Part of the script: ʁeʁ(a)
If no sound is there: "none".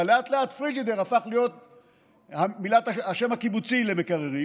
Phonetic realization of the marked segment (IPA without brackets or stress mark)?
i